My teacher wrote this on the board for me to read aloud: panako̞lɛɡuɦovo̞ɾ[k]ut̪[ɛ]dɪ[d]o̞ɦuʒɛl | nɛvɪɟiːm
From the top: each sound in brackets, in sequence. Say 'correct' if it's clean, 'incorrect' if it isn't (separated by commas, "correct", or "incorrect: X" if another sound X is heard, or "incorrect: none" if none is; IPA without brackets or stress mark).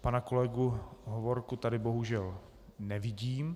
correct, incorrect: a, incorrect: b